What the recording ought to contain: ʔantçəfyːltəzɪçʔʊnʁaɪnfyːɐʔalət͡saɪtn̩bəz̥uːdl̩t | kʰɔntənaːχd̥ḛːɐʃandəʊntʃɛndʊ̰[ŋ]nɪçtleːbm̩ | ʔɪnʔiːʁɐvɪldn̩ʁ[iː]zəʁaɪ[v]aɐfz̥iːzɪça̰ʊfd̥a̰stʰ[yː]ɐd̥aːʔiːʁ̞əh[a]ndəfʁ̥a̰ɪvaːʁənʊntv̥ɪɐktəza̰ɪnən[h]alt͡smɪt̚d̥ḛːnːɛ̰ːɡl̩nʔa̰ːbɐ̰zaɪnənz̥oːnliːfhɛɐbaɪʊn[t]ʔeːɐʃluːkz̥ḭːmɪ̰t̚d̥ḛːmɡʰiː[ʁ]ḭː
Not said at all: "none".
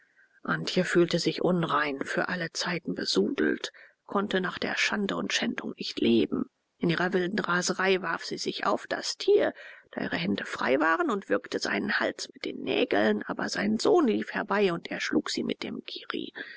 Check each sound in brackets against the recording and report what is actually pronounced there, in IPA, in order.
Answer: ŋ, aː, v, iː, ɛ, h, t, ʁ

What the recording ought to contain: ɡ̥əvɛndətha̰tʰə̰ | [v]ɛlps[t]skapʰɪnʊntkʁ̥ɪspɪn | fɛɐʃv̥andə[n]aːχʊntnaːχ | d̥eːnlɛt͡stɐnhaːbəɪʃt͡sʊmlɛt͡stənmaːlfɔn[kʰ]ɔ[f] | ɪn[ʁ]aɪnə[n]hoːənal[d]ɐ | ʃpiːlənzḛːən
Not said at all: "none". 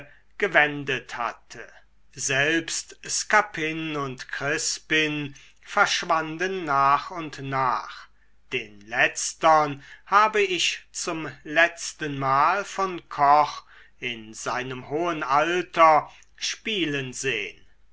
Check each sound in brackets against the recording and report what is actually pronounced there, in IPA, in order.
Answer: z, t, nː, kʰ, χ, z, m, t

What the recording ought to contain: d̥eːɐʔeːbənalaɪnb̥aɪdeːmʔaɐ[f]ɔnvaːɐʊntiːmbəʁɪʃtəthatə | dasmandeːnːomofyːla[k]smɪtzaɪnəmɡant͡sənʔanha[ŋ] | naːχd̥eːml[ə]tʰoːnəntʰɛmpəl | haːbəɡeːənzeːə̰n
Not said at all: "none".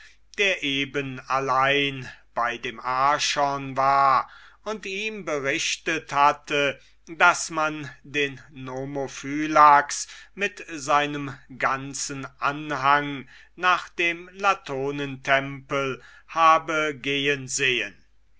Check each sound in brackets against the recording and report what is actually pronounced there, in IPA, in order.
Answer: ʃ, k, ŋ, a

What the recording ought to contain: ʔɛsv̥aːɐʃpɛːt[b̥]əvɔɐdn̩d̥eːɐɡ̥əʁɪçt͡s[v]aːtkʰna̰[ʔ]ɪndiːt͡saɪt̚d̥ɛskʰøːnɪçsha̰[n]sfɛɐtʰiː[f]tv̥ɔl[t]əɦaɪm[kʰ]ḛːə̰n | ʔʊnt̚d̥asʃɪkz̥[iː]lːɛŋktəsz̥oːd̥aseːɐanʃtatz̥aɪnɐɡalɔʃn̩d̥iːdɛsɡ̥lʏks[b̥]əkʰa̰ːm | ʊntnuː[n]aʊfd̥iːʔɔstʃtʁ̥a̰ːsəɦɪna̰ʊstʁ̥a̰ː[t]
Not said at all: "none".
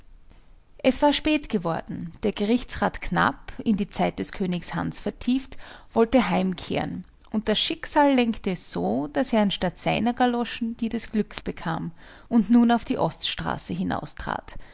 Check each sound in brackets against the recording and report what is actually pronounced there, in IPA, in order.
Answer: ɡ̥, ʁ, p, n, f, t, kʰ, aː, b̥, n, t

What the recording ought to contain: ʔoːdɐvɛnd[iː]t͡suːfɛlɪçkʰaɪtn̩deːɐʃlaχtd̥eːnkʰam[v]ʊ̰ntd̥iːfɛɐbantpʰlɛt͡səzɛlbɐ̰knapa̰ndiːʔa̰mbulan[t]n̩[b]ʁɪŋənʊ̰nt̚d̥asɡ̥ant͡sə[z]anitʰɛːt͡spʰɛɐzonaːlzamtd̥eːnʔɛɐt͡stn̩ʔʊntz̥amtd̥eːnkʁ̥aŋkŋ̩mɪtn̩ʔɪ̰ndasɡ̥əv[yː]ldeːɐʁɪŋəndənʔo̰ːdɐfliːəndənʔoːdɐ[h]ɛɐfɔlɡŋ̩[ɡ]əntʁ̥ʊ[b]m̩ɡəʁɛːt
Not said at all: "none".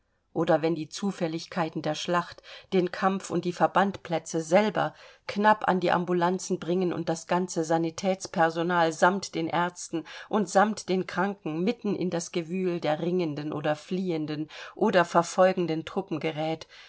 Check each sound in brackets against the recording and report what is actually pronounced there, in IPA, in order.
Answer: iː, f, t͡s, b, z, yː, f, d, p

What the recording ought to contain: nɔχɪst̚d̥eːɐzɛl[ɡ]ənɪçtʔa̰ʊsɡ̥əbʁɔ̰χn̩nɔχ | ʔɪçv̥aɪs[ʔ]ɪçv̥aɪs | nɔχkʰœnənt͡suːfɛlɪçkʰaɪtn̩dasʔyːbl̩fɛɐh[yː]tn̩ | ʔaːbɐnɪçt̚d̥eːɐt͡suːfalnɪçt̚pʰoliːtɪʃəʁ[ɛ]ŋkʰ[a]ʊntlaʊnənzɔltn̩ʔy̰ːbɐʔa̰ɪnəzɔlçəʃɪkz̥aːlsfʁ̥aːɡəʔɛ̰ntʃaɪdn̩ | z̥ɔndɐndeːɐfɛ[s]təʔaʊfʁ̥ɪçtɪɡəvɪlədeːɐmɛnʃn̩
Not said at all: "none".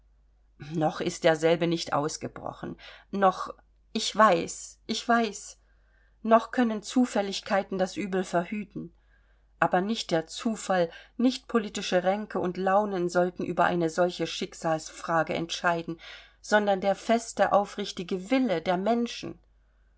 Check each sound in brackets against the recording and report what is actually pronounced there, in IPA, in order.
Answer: b, ʔ, yː, ɛ, ə, s

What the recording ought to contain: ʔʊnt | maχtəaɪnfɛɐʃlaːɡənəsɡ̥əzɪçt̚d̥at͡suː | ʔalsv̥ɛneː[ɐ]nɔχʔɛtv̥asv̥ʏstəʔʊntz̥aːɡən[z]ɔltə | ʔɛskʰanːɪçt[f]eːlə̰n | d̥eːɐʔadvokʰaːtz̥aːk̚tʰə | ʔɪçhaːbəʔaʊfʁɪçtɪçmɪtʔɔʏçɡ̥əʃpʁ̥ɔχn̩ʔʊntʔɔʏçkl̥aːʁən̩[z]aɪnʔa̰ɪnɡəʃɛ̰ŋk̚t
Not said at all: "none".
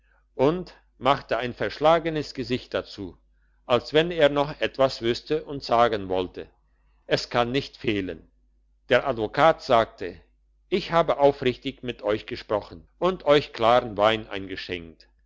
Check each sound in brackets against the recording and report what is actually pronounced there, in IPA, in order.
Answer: ɐ, v, f, v

